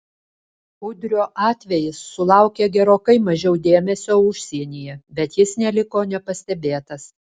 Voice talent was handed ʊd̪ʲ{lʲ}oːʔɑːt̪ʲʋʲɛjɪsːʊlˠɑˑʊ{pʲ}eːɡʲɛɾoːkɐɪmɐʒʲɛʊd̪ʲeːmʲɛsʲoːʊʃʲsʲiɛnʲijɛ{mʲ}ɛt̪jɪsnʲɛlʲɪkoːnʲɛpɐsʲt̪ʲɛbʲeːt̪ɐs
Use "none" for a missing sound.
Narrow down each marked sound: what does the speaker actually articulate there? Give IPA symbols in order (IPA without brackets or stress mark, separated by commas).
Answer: ɾʲ, kʲ, bʲ